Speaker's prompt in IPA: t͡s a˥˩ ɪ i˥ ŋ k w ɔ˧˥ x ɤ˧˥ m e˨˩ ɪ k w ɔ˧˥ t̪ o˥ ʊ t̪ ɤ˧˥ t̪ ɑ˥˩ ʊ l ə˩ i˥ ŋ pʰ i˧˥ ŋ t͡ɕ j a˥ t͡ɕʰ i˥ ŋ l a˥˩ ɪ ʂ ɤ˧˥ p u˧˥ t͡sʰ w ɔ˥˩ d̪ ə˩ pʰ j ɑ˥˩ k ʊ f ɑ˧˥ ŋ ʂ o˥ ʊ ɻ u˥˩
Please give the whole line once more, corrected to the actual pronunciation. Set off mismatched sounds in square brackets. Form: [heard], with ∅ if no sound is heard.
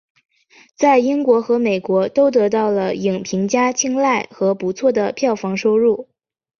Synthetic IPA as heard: t͡s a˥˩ ɪ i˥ ŋ k w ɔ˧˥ x ɤ˧˥ m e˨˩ ɪ k w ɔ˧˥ t̪ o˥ ʊ t̪ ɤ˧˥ t̪ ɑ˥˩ ʊ l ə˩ [i˨˩] ŋ pʰ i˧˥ ŋ t͡ɕ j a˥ t͡ɕʰ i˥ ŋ l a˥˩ ɪ [x] ɤ˧˥ p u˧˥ t͡sʰ w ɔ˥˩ d̪ ə˩ pʰ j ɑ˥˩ [∅] ʊ f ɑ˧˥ ŋ ʂ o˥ ʊ ɻ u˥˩

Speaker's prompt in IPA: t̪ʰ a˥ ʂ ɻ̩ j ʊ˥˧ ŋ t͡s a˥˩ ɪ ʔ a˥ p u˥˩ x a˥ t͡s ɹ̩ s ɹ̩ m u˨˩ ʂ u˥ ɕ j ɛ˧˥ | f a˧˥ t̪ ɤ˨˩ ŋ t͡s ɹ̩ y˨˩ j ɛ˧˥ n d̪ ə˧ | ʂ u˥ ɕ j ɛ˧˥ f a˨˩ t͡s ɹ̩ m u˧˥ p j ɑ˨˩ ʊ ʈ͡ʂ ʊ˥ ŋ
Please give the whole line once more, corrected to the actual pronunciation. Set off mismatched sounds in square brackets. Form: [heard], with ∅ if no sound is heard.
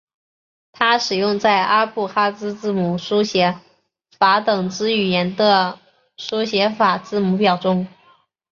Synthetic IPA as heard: t̪ʰ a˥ ʂ ɻ̩ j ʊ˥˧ ŋ t͡s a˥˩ ɪ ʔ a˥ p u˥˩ x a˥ t͡s ɹ̩ [t͡s] ɹ̩ m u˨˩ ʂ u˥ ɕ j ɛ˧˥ | f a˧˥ t̪ ɤ˨˩ ŋ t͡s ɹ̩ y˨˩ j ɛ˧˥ n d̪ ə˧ | ʂ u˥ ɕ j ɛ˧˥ f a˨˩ t͡s ɹ̩ m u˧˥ p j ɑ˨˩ ʊ ʈ͡ʂ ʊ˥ ŋ

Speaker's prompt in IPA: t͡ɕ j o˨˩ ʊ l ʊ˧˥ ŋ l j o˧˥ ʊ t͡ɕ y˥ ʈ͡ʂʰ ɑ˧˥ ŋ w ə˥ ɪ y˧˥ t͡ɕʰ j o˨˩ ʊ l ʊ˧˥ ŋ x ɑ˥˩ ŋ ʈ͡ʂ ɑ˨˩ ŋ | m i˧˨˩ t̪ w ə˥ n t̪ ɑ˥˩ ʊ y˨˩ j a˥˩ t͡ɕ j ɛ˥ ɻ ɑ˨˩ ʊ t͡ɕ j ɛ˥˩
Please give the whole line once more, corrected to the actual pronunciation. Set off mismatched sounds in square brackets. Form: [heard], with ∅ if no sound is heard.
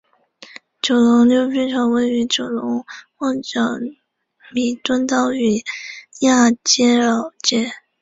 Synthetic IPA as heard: t͡ɕ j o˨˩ ʊ l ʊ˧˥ ŋ l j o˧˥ ʊ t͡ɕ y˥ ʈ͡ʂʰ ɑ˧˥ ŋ w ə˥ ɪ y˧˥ [t͡ɕ] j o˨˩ ʊ l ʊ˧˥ ŋ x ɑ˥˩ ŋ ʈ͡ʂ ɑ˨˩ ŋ | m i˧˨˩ t̪ w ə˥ n t̪ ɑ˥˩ ʊ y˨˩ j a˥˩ t͡ɕ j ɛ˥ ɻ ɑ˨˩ ʊ t͡ɕ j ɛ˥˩

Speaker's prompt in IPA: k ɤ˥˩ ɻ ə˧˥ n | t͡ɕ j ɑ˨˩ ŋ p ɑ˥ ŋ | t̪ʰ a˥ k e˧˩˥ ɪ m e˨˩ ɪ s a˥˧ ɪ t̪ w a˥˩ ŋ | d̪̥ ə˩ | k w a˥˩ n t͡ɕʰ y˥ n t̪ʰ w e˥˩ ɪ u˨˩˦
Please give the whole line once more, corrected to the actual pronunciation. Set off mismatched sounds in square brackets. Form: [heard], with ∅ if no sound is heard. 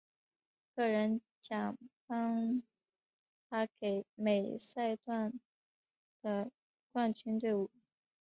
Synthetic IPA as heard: k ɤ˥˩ ɻ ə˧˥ n | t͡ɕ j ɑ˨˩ ŋ p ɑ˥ ŋ | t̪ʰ a˥ k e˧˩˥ ɪ m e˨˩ ɪ s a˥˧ ɪ t̪ w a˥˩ [n] | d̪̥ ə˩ | k w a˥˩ n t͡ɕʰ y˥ n [t̪] w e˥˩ ɪ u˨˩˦

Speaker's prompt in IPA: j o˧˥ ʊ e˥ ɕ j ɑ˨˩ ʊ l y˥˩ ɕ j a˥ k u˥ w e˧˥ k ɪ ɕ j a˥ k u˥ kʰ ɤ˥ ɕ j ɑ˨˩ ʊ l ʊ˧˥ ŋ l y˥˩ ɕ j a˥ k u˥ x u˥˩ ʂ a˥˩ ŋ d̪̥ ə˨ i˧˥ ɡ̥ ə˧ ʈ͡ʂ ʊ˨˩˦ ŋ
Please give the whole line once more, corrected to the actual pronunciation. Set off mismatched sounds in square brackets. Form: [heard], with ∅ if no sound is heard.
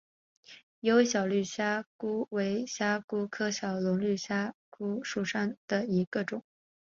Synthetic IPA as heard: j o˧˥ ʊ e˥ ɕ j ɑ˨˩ ʊ l y˥˩ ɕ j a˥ k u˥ w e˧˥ [∅] ɪ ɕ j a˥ k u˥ kʰ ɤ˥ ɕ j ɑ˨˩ ʊ l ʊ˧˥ ŋ l y˥˩ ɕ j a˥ k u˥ [ʂ] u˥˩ ʂ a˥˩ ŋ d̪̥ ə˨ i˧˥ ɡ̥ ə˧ ʈ͡ʂ ʊ˨˩˦ ŋ

